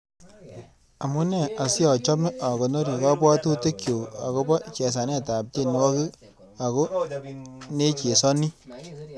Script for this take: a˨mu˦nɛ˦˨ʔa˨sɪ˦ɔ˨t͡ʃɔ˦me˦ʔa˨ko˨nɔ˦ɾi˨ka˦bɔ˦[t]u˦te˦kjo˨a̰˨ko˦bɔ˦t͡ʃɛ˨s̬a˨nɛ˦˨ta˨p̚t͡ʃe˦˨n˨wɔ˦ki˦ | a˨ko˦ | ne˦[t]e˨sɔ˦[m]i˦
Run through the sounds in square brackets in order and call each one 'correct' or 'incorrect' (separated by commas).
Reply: correct, incorrect, incorrect